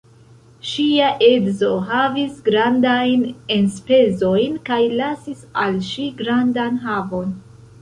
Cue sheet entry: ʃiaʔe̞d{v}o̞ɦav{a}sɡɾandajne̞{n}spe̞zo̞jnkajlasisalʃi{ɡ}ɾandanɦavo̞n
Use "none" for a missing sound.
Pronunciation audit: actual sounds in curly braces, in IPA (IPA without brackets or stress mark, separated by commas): z, i, n, ɡ